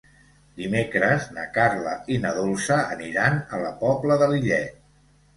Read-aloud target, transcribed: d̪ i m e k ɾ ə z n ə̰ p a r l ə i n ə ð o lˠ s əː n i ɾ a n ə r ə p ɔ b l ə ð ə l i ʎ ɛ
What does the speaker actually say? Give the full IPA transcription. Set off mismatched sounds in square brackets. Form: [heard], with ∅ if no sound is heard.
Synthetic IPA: d̪ i m e k ɾ ə z n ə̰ [k] a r l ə i n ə ð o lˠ s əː n i ɾ a n ə [l] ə p ɔ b l ə ð ə l i ʎ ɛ